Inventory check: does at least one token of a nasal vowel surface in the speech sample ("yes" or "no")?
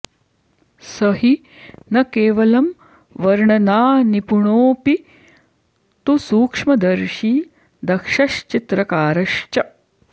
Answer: no